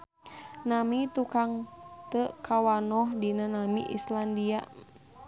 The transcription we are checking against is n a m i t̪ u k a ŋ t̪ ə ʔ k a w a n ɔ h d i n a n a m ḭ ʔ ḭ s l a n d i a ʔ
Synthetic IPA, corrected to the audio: n a m i t̪ u k a ŋ t̪ ə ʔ k a w a n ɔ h d i n a n a m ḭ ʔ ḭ s l a n d i a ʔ